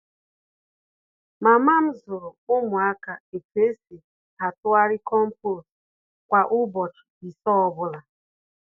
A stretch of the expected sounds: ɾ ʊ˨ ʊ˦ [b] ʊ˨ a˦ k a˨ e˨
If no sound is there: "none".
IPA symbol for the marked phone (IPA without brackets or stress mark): m